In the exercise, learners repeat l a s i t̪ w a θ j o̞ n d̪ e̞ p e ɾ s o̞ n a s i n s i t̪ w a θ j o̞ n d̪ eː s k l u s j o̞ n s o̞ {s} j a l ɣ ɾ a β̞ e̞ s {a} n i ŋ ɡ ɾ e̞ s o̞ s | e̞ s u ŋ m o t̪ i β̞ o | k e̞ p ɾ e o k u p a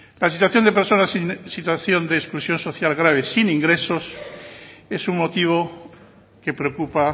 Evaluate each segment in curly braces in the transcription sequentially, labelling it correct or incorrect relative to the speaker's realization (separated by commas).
incorrect, incorrect